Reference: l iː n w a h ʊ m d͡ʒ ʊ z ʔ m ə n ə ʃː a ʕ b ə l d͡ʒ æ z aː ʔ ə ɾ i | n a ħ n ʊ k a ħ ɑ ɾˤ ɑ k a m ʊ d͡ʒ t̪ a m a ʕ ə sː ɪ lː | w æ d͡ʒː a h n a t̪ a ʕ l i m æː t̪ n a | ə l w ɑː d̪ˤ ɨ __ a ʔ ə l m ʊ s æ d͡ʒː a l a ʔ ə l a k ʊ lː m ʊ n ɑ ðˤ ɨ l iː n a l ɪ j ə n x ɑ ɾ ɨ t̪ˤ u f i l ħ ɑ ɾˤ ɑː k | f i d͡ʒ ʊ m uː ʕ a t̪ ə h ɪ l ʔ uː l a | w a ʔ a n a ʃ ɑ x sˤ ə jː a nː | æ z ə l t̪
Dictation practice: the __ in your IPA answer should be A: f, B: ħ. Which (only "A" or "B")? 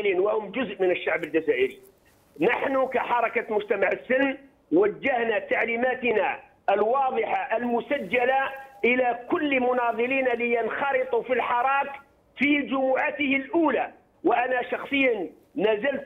B